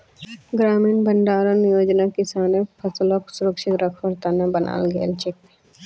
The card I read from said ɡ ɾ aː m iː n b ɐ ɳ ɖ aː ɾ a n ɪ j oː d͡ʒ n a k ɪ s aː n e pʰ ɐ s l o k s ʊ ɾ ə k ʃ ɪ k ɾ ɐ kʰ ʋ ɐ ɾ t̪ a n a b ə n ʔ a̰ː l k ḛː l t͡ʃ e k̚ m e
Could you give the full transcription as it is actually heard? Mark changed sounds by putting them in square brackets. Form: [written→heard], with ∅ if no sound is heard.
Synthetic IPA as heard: ɡ ɾ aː m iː n b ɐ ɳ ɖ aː ɾ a n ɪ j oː d͡ʒ n a k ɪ s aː n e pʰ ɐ s l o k s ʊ ɾ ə k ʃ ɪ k ɾ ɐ kʰ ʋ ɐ ɾ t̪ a n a b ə n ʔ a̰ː l [k→ɡ] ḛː l t͡ʃ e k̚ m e